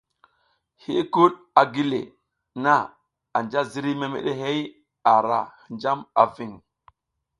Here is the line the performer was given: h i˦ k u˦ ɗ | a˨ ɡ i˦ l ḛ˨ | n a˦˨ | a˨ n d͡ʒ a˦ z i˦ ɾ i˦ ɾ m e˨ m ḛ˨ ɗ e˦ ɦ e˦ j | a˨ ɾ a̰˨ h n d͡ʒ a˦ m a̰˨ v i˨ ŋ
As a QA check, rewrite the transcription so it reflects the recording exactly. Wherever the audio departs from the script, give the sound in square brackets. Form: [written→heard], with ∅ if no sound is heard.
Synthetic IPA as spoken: h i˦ k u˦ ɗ | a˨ ɡ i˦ l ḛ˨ | n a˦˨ | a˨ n d͡ʒ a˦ z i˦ ɾ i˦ [ɾ→∅] m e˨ m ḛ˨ ɗ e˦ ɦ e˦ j | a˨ ɾ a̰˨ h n d͡ʒ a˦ m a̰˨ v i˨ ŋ